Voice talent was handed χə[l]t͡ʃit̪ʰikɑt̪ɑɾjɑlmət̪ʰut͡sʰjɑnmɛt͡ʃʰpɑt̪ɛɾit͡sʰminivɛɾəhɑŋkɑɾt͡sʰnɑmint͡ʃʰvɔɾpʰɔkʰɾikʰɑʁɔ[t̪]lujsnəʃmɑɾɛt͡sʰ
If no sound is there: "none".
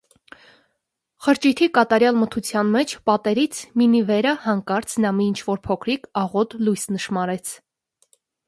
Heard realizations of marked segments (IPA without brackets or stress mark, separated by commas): ɾ, t̪